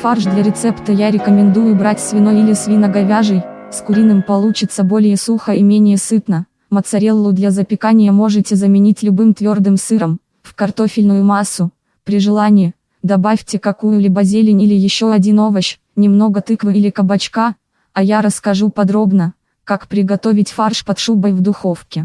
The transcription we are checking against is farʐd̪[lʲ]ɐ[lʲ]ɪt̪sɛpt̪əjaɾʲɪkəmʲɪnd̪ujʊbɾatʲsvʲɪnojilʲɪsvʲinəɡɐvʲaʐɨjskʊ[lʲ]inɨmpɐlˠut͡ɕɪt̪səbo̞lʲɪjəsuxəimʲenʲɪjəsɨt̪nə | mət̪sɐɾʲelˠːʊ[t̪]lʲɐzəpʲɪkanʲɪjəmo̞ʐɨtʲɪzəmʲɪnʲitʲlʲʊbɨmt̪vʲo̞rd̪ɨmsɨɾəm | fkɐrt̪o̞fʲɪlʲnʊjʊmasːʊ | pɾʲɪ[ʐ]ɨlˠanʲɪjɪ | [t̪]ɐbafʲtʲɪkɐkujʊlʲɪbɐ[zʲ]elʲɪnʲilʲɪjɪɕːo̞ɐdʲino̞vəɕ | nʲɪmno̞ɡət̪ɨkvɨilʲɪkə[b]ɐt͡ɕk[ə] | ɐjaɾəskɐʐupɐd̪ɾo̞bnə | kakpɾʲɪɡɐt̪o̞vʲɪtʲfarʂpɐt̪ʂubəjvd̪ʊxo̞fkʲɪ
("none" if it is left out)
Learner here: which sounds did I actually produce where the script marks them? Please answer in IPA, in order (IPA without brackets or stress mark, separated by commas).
lʲ, ɾʲ, ɾʲ, d̪, ʐ, d̪, zʲ, b, a